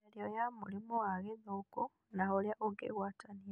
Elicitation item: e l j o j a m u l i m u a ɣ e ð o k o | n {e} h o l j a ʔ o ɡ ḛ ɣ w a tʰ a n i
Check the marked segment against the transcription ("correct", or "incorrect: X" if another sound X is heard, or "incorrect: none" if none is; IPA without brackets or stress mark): incorrect: a